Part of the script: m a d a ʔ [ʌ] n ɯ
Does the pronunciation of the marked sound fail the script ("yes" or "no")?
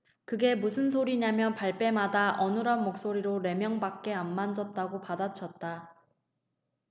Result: no